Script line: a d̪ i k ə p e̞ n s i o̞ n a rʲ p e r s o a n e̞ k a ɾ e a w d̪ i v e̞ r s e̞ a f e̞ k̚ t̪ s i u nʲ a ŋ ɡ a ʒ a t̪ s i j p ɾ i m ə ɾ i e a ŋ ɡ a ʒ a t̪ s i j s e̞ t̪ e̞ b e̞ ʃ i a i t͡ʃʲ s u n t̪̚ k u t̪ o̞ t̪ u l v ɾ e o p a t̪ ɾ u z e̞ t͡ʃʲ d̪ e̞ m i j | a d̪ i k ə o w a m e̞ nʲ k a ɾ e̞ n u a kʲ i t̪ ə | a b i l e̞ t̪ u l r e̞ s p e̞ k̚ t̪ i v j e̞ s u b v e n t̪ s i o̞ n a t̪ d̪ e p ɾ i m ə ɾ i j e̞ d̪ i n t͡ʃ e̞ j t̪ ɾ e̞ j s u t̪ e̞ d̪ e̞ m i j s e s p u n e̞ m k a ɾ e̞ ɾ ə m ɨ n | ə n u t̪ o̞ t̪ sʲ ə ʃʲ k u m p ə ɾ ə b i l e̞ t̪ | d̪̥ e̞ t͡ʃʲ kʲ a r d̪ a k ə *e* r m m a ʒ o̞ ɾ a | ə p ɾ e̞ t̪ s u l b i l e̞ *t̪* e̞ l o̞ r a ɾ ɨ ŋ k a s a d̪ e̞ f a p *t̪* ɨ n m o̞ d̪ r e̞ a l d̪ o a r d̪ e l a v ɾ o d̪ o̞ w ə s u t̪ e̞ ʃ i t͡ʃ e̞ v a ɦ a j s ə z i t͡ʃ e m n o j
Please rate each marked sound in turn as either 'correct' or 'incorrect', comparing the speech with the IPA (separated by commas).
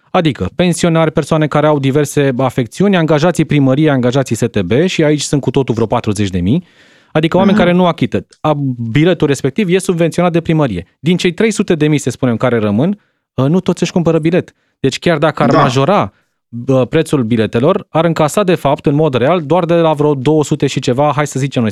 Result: incorrect, correct, correct